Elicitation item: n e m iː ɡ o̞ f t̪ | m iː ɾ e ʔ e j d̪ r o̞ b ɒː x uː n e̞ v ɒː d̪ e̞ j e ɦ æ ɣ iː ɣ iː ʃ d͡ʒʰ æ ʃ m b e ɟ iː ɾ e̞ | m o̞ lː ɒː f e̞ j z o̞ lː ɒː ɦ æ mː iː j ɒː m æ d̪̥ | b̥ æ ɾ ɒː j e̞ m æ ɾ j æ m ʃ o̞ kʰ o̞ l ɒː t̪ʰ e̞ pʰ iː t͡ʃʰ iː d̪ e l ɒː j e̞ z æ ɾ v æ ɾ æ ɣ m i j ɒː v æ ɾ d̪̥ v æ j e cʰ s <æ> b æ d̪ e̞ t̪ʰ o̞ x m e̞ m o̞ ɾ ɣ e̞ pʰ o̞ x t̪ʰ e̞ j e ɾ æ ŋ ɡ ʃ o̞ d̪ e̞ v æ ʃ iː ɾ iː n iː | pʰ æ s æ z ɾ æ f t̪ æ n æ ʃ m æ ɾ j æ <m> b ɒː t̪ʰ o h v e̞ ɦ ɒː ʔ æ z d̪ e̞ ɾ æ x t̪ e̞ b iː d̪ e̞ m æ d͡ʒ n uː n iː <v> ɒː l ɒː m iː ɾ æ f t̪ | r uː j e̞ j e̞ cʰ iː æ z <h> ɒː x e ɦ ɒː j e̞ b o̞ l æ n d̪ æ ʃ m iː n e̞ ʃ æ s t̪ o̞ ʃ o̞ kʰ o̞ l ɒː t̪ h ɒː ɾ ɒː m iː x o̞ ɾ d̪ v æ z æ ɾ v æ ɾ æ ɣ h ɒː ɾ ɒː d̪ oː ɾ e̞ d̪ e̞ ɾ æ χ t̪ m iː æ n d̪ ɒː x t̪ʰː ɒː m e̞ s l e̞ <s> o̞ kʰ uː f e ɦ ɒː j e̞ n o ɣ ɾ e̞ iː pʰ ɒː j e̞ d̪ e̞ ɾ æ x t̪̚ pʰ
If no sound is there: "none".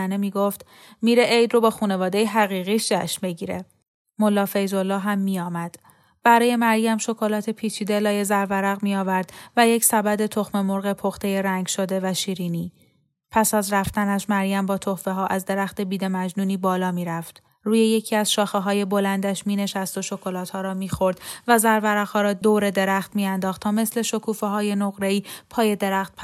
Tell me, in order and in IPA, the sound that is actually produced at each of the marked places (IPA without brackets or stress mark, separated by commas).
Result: æ, m, b, ʃ, ʃ